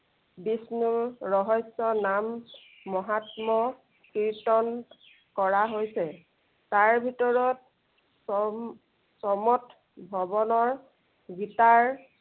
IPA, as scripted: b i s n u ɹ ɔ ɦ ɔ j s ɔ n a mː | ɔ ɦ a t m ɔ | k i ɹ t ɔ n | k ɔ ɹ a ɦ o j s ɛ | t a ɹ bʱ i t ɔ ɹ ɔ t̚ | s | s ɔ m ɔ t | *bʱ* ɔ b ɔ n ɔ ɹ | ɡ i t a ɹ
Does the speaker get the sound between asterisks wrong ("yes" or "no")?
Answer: no